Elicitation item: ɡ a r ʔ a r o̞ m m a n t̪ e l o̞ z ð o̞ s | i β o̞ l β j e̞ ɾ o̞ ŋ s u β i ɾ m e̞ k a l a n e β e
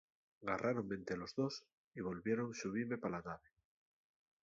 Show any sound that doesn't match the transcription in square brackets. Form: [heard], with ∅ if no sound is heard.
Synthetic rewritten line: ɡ a r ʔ a [ɾ] o̞ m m [e] n t̪ e l o̞ z ð o̞ s | i β o̞ l β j e̞ ɾ o̞ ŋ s u β i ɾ m e̞ [p] a l a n [a] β e